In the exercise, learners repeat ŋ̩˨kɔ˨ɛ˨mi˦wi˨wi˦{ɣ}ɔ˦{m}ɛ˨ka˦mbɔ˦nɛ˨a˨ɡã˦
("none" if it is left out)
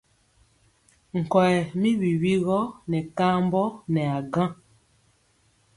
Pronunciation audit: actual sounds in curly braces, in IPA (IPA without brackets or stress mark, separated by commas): ɣ, n